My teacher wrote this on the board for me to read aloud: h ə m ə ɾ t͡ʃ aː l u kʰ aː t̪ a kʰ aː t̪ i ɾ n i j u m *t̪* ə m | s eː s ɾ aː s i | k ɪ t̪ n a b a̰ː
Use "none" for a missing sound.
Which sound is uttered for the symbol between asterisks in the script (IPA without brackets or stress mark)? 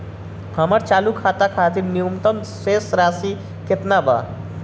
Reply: t̪